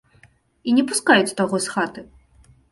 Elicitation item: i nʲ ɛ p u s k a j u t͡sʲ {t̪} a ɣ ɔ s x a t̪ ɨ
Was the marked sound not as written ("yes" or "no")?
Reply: no